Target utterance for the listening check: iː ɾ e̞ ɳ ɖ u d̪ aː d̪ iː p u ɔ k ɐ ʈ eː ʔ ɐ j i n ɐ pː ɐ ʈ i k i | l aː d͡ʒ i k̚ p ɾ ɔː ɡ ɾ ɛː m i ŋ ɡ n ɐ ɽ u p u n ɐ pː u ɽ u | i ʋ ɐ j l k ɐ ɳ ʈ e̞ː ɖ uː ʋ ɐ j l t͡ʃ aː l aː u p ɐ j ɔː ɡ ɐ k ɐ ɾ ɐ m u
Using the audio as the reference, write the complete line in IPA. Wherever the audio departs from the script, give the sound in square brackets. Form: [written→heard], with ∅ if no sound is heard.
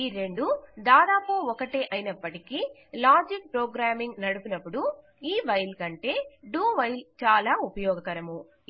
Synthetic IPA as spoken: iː ɾ e̞ ɳ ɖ u d̪ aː d̪ [iː→aː] p u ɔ k ɐ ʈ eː ʔ ɐ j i n ɐ pː ɐ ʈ i k i | l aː d͡ʒ i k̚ p ɾ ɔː ɡ ɾ [ɛː→aː] m i ŋ ɡ n ɐ ɽ u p u n ɐ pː u ɽ u | [i→iː] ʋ ɐ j l k ɐ ɳ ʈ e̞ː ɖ uː ʋ ɐ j l t͡ʃ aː l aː u p ɐ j ɔː ɡ ɐ k ɐ ɾ ɐ m u